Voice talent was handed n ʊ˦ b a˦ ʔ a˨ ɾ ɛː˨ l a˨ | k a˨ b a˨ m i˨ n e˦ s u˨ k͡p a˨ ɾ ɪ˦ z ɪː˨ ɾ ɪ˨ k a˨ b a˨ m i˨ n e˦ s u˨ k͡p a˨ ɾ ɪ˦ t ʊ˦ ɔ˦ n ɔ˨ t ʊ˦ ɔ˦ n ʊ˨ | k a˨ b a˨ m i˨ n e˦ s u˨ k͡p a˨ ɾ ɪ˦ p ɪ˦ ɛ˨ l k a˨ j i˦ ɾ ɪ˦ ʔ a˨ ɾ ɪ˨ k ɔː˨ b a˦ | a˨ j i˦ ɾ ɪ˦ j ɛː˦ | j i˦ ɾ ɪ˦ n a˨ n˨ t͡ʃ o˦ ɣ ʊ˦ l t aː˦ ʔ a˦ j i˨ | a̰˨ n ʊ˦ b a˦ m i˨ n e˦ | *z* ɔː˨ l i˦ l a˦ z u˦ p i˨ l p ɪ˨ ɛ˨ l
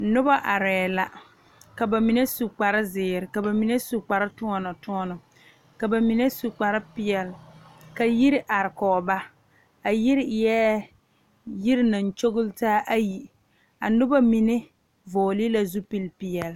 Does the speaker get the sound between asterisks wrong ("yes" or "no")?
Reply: yes